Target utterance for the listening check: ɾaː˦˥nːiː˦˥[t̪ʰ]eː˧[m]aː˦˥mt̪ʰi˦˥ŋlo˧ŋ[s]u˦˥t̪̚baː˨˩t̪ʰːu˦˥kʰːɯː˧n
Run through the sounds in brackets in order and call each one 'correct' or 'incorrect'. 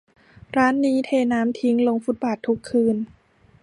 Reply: correct, incorrect, incorrect

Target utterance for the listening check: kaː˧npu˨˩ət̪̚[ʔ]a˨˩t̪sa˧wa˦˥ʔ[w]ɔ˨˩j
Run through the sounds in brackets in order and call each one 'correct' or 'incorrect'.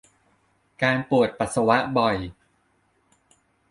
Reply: incorrect, incorrect

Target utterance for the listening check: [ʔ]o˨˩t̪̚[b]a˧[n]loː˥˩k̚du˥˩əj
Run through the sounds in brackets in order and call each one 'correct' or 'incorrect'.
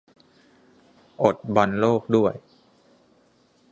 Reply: correct, correct, correct

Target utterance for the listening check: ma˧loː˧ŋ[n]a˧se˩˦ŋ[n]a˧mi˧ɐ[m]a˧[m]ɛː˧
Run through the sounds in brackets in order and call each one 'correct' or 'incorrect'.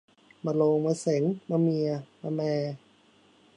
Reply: incorrect, incorrect, correct, correct

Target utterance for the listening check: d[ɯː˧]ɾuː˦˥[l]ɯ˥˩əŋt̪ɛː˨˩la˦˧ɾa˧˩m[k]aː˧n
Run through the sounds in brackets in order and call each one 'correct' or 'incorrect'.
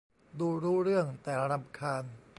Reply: incorrect, incorrect, incorrect

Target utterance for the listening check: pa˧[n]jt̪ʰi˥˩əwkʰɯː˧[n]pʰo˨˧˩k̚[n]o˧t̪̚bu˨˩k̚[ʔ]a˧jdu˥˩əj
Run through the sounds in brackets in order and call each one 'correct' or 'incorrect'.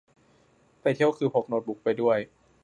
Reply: incorrect, incorrect, correct, incorrect

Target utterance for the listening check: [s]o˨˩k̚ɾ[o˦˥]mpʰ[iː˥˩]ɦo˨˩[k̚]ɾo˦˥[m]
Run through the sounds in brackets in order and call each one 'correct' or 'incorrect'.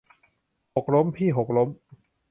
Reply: incorrect, correct, correct, correct, correct

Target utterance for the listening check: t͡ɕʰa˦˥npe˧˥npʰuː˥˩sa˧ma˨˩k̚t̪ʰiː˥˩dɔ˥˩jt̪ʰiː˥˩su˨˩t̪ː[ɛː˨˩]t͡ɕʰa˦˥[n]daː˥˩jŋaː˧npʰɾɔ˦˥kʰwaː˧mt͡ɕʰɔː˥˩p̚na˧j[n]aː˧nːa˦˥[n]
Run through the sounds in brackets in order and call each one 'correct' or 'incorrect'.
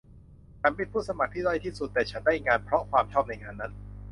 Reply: correct, correct, incorrect, correct

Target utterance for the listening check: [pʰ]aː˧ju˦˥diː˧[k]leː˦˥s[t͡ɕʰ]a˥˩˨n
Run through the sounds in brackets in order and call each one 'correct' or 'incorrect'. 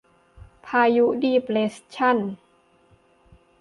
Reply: correct, incorrect, correct

